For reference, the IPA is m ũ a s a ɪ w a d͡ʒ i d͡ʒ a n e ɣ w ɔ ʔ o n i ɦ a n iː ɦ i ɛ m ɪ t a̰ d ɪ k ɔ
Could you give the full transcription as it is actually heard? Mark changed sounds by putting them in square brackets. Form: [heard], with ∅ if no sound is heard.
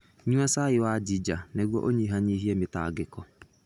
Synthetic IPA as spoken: [ɲ] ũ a s a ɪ w a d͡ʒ i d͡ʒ a n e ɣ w ɔ ʔ o [ɲ] i ɦ a [ɲ] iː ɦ i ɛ m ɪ t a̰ [ɡ] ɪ k ɔ